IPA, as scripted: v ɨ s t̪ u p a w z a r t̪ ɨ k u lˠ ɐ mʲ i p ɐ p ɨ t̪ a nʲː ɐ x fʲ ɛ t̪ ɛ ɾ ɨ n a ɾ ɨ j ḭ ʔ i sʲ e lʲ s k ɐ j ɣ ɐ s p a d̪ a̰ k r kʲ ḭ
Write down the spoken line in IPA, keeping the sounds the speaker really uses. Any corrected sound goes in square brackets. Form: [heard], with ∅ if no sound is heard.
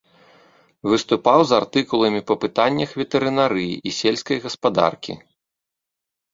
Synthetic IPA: v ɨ s t̪ u p a w z a r t̪ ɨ k u lˠ ɐ mʲ i p ɐ p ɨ t̪ a nʲː ɐ x [vʲ] ɛ t̪ ɛ ɾ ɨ n a ɾ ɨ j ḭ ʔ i sʲ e lʲ s k ɐ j ɣ ɐ s p a d̪ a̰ [∅] r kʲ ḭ